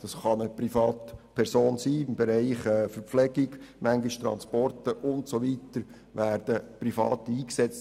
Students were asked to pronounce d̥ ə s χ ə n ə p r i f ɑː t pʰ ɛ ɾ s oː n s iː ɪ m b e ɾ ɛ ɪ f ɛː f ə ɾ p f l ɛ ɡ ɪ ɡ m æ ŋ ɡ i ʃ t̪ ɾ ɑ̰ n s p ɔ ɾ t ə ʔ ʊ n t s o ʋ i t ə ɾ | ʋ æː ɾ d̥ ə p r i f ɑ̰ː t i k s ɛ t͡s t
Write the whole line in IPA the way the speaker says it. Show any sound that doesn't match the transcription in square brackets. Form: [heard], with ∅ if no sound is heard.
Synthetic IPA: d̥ [ɑ] s χ [ɑ] n ə p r i f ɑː t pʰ ɛ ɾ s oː n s iː ɪ m b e ɾ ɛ ɪ [χ] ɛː f ə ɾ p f l ɛ ɡ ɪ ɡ m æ ŋ ɡ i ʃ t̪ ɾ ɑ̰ n s p ɔ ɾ t ə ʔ ʊ n t s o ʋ i t ə ɾ | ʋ æː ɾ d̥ ə p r i f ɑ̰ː t [iː] k s ɛ t͡s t